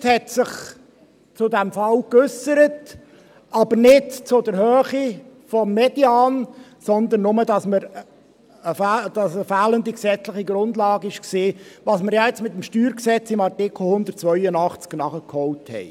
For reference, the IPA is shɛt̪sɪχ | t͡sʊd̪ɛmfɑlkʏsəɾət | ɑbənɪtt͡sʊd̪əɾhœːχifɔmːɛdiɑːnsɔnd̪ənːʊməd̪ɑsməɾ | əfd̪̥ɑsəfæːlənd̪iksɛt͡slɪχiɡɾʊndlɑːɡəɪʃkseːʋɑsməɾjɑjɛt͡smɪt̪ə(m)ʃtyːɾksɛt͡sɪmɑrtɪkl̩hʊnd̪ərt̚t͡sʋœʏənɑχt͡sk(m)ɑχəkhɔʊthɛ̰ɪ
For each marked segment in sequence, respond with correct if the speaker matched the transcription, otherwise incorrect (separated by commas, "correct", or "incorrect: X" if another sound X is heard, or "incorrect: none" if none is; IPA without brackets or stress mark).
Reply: correct, incorrect: n